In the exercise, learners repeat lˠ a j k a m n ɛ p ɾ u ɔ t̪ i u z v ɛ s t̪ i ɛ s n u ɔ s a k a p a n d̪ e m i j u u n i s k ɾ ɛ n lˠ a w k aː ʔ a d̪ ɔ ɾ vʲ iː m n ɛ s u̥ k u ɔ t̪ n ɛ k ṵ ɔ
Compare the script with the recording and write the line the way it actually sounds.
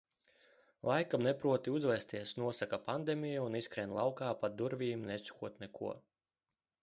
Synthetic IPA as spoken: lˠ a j k a m n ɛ p ɾ u ɔ t̪ i u z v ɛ s t̪ i ɛ s n u ɔ s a k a p a n d̪ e m i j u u n i s k ɾ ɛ n lˠ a w k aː p a d̪ u ɾ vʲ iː m n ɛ s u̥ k u ɔ t̪ n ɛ k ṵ ɔ